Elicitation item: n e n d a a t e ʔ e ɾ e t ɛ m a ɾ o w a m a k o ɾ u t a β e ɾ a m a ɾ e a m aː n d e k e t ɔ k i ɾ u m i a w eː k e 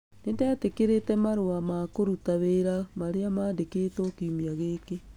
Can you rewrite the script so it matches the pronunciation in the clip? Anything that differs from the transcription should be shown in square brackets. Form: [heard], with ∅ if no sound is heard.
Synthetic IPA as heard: n e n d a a t e [k] e ɾ e t ɛ m a ɾ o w a m a k o ɾ u t a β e ɾ a m a ɾ e a m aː n d e k e t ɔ k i [∅] u m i a [ɣ] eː k e